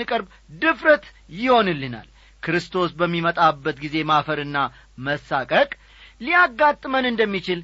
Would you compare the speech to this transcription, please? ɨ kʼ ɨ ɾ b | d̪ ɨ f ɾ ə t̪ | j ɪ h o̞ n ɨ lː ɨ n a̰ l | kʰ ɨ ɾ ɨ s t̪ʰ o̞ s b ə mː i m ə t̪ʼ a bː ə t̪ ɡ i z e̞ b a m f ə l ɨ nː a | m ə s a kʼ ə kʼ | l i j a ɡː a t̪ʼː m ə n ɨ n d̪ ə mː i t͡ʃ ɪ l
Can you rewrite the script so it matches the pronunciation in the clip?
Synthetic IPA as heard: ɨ kʼ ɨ ɾ b | d̪ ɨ f ɾ ə t̪ | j ɪ h o̞ n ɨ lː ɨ n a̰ l | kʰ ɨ ɾ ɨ s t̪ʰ o̞ s b ə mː i m ə t̪ʼ a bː ə t̪ ɡ i z e̞ m a f ə ɾ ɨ nː a | m ə s a kʼ ə kʼ | l i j a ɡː a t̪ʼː m ə n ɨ n d̪ ə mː i t͡ʃ ɪ l